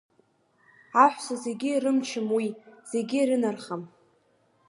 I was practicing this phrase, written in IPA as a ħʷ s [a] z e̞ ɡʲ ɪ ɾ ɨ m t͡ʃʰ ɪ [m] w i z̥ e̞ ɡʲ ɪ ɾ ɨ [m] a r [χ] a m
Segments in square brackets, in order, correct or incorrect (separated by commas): correct, correct, incorrect, correct